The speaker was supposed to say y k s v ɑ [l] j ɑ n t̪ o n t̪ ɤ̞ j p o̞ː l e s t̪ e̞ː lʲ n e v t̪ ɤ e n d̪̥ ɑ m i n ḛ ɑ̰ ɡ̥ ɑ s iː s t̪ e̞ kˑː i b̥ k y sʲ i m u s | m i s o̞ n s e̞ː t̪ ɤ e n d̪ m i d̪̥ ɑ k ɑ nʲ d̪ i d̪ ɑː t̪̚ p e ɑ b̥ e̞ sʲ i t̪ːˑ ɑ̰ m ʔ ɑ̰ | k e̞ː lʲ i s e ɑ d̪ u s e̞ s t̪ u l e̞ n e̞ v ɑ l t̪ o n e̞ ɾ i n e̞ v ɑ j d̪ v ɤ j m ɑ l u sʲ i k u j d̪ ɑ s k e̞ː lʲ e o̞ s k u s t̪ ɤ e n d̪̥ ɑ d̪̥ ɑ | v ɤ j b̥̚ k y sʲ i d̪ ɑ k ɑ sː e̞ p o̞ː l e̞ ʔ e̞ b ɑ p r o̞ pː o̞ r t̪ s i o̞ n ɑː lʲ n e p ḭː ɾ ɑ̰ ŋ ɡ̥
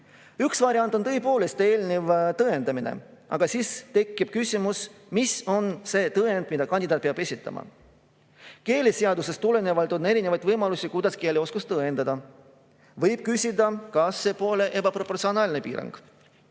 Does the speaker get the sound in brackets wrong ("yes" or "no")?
yes